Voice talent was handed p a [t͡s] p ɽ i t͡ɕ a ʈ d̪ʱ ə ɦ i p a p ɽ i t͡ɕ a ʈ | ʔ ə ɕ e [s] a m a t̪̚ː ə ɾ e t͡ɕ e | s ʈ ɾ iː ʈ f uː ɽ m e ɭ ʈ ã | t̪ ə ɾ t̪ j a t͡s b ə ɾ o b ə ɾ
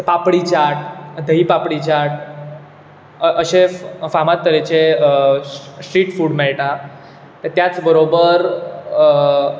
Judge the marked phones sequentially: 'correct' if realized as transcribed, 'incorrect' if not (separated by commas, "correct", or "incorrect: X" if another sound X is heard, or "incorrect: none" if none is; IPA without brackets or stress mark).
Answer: incorrect: none, incorrect: f